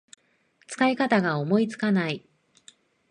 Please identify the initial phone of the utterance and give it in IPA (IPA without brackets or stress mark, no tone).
t͡s